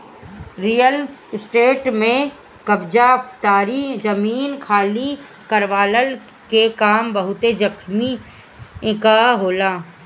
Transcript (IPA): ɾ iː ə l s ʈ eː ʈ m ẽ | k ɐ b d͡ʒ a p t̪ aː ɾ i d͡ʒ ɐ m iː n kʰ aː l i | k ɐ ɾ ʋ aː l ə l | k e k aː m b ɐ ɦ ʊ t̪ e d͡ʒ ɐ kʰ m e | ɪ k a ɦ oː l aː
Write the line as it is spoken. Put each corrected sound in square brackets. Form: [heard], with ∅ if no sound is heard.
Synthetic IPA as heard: ɾ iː ə l s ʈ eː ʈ m ẽ | k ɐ b d͡ʒ a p t̪ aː ɾ i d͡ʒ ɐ m iː n kʰ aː l i | k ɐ ɾ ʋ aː l ə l | k e k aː m b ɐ ɦ ʊ t̪ e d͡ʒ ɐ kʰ m [i] | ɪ k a ɦ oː l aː